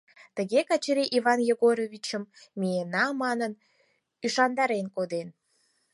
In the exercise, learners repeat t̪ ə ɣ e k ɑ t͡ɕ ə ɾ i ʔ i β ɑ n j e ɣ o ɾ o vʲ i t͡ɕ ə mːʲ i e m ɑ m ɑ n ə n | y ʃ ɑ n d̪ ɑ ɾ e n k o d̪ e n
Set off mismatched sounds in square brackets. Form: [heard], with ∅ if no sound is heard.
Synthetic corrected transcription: t̪ ə ɣ e k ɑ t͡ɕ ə ɾ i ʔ i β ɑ n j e ɣ o ɾ o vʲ i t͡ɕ ə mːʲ i e [n] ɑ m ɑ n ə n | y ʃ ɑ n d̪ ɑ ɾ e n k o d̪ e n